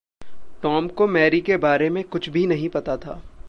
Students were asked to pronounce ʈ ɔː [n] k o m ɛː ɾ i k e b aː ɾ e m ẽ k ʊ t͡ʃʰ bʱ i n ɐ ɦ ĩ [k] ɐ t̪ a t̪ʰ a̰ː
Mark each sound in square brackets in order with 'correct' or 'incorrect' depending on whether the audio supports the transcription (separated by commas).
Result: incorrect, incorrect